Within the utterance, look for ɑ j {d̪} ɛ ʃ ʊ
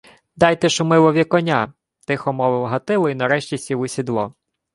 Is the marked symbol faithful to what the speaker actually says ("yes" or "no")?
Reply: no